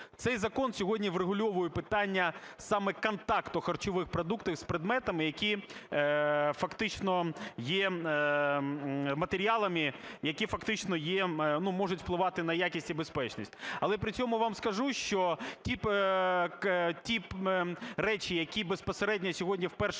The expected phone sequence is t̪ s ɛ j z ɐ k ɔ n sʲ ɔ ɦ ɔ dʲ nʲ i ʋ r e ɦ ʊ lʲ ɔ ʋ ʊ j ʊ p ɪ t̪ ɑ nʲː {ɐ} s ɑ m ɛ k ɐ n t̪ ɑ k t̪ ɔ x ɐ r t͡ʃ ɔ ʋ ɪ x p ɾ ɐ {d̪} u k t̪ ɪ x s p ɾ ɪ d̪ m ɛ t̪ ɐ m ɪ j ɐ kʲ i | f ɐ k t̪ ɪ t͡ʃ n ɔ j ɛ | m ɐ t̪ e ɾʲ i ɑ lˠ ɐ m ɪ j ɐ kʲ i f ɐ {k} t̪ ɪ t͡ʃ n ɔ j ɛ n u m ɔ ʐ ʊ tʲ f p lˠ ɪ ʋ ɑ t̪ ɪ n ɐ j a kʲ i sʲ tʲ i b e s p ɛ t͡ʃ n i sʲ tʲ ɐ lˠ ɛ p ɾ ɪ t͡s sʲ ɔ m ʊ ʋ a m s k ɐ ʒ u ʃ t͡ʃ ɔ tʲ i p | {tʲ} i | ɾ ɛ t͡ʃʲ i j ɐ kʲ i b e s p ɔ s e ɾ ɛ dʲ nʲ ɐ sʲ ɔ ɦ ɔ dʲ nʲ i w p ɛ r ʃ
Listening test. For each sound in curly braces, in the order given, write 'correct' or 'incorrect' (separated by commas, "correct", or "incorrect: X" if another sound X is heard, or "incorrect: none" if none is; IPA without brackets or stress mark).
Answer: correct, correct, correct, correct